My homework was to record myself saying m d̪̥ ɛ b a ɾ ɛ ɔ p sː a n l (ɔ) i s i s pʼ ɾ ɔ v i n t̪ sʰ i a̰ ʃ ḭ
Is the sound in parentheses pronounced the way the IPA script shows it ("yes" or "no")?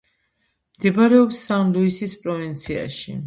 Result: no